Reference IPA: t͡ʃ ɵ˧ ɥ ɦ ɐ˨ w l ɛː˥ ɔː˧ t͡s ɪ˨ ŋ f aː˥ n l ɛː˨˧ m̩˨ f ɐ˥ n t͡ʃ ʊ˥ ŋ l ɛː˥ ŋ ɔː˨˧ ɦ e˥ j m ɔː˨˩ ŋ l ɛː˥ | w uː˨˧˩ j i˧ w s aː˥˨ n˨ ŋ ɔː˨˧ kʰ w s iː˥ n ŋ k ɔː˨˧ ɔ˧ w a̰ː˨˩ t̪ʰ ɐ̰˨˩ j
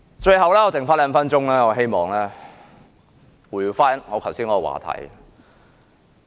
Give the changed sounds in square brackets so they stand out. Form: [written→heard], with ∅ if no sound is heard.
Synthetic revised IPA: t͡ʃ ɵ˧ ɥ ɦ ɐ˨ w l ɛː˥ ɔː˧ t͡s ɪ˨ ŋ f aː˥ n l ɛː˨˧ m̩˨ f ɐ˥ n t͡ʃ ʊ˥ ŋ l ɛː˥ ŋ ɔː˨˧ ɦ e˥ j m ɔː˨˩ ŋ l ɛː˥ | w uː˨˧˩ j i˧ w [s→f] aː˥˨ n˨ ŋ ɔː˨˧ kʰ w s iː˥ n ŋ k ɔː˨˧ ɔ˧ w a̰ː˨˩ t̪ʰ ɐ̰˨˩ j